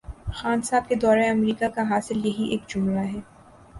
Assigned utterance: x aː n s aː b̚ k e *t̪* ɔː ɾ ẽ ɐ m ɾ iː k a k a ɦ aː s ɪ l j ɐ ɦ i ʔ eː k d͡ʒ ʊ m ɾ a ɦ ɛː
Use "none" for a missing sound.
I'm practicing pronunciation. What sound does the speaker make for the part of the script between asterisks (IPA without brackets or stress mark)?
d̪